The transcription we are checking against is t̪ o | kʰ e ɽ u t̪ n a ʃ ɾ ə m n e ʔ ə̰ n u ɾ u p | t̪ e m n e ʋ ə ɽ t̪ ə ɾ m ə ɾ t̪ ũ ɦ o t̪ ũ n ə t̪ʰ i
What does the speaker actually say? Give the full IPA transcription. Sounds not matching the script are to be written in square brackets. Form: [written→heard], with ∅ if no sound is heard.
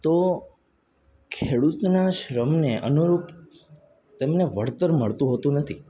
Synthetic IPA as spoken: t̪ o | kʰ e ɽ u t̪ n a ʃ ɾ ə m n e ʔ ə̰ n u ɾ u p | t̪ e m n e ʋ ə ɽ t̪ ə ɾ m ə [ɾ→ɭ] t̪ ũ ɦ o t̪ ũ n ə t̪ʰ i